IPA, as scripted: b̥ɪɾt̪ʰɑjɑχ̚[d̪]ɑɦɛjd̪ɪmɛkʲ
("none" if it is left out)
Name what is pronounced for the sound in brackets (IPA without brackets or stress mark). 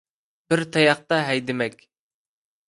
t̪